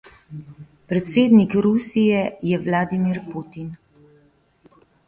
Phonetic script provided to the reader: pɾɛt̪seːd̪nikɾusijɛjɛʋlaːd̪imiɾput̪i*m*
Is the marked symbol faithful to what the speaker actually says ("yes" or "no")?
no